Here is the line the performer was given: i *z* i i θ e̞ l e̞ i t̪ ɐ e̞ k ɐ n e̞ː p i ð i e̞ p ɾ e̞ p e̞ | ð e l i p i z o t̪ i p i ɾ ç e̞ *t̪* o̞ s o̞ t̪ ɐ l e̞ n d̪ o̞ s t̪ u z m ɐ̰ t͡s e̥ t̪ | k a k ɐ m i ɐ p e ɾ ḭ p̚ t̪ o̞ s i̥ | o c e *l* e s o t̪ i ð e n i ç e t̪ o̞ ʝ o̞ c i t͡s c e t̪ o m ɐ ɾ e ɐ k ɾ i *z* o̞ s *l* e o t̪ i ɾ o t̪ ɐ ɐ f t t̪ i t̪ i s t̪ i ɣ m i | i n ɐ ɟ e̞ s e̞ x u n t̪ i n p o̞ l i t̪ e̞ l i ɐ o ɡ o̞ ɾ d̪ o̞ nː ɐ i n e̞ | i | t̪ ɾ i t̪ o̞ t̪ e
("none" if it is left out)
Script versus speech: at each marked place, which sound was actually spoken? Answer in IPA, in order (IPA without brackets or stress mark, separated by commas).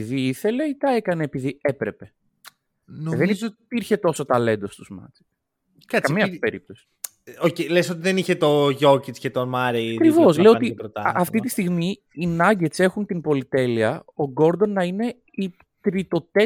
ð, t̪, l, v, l